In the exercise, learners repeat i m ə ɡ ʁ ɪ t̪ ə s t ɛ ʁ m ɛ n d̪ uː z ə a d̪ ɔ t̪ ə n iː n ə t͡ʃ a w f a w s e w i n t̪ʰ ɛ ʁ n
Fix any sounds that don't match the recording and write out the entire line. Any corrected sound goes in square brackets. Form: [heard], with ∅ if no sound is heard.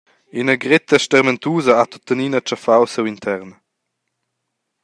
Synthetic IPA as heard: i [n] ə ɡ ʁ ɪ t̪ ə [ʃ] t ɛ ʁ m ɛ n [t̪] uː z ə a [t̪] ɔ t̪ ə n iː n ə t͡ʃ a [∅] f a w s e w i n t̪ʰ ɛ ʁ n